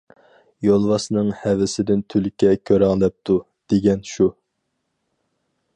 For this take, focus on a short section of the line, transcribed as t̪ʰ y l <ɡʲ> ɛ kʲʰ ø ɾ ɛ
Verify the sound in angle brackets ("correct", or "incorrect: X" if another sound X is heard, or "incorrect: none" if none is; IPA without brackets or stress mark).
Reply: incorrect: kʲ